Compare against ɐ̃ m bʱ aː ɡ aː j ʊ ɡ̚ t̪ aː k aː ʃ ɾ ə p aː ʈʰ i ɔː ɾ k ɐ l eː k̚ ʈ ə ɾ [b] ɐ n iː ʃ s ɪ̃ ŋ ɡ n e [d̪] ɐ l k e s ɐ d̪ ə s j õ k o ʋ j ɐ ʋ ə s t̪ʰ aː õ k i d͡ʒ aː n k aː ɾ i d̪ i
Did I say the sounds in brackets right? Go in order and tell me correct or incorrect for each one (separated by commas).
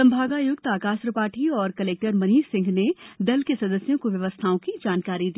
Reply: incorrect, correct